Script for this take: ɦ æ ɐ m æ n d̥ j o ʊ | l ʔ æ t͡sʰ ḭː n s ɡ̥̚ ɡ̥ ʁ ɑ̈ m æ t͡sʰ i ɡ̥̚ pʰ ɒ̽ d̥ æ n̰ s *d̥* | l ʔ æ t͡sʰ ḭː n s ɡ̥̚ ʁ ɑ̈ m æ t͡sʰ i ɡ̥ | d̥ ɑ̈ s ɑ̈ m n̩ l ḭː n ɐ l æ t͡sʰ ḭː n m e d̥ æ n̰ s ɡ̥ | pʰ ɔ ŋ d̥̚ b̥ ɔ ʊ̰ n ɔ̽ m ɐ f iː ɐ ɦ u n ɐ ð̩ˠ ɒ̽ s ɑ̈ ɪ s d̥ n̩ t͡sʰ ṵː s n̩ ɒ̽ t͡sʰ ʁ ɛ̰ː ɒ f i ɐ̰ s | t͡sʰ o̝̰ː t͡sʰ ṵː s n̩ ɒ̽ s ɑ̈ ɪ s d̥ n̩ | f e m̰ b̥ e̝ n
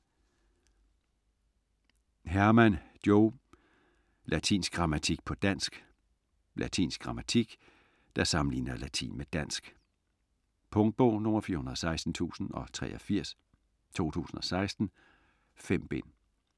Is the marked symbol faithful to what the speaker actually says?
no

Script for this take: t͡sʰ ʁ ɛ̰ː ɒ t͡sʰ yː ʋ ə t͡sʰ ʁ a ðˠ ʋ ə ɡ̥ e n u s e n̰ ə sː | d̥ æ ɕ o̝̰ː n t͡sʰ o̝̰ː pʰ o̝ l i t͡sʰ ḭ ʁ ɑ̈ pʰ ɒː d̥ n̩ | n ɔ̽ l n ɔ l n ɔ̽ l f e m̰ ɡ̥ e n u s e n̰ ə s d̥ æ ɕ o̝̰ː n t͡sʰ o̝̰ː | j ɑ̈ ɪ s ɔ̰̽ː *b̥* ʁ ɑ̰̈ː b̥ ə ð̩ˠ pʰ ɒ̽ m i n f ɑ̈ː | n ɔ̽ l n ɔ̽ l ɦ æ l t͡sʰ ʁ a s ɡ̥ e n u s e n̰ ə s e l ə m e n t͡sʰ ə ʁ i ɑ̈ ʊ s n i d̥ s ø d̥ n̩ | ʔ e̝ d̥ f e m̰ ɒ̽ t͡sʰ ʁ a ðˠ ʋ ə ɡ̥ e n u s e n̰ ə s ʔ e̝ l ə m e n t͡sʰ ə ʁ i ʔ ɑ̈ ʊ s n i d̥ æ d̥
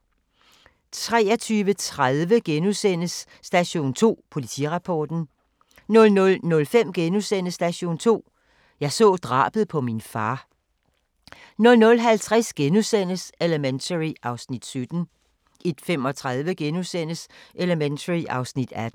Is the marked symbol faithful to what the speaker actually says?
no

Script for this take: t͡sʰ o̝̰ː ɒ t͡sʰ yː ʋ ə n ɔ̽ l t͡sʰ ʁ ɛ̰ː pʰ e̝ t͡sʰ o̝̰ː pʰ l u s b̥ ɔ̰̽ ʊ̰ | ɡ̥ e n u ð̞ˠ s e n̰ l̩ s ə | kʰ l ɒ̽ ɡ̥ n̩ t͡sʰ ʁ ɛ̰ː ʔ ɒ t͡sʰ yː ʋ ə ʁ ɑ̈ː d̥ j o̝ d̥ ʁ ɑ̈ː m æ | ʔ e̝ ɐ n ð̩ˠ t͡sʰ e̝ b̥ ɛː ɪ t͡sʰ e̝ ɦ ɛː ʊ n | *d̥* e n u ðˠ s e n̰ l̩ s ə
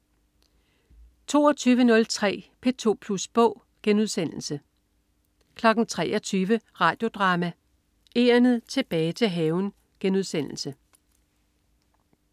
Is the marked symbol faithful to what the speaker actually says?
no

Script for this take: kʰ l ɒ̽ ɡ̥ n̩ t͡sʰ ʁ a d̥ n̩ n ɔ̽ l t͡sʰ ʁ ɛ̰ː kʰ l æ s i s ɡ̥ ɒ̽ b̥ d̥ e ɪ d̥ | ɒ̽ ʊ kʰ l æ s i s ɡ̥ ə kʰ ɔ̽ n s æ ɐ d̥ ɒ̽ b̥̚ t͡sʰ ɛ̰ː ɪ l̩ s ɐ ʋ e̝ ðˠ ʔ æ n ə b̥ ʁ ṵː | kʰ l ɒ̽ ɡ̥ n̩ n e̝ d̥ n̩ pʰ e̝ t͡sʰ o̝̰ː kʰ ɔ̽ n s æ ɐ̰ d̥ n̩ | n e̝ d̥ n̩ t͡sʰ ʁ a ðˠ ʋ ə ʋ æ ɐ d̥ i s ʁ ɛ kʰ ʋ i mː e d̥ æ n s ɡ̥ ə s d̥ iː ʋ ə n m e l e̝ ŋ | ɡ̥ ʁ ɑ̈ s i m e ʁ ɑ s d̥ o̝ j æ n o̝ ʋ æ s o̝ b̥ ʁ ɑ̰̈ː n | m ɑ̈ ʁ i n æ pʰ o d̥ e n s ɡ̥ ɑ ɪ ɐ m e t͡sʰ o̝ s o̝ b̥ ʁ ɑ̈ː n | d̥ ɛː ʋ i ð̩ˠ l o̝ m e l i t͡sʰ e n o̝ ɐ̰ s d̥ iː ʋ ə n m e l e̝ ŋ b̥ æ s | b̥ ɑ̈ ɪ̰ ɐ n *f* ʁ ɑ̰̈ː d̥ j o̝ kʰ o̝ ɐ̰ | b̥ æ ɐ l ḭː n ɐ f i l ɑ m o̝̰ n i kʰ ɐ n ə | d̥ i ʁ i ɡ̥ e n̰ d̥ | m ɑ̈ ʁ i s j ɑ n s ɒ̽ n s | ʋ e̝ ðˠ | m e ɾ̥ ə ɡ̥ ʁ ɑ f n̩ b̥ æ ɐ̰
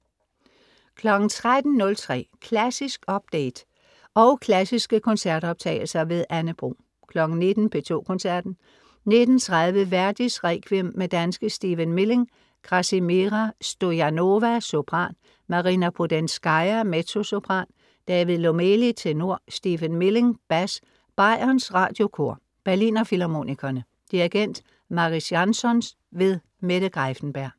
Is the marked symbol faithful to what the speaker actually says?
no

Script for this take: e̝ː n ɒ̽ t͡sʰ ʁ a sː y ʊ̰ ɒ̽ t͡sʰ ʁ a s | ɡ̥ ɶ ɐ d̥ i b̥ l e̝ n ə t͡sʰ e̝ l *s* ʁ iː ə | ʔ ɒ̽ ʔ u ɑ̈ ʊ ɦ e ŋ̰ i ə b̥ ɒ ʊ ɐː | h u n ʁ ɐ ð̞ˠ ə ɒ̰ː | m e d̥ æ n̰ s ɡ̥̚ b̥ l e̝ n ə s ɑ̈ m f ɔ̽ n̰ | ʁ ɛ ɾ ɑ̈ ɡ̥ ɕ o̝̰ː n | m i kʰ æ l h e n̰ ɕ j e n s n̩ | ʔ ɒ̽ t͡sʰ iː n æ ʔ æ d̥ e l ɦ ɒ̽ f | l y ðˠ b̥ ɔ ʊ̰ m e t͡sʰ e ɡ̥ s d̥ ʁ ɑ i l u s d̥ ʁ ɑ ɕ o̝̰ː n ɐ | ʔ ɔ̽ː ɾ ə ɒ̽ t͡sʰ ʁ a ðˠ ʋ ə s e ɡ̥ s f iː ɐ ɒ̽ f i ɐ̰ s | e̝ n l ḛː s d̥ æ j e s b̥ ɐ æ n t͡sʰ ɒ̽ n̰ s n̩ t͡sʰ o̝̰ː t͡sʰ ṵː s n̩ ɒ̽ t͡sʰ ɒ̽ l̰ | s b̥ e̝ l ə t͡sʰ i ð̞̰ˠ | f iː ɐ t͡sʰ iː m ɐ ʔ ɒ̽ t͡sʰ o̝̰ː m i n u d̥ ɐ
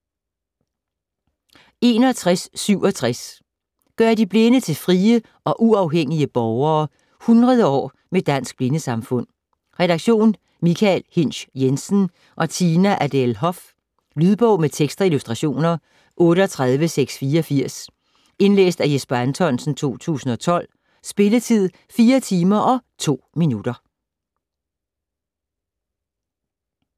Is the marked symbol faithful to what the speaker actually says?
no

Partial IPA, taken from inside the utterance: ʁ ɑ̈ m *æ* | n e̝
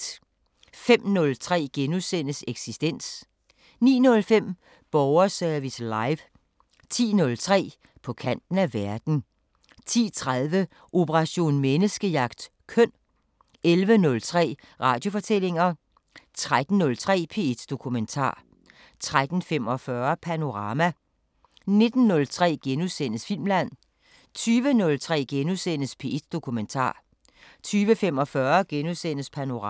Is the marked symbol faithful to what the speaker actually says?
yes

